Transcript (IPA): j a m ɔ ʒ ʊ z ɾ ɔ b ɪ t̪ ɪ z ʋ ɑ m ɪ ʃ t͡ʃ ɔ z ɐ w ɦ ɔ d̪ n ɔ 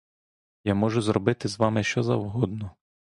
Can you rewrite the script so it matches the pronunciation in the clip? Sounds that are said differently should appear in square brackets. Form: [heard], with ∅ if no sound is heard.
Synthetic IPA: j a m ɔ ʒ ʊ z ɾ ɔ b ɪ t̪ ɪ z ʋ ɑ m ɪ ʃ t͡ʃ ɔ z ɐ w ɦ ɔ d̪ n ɔ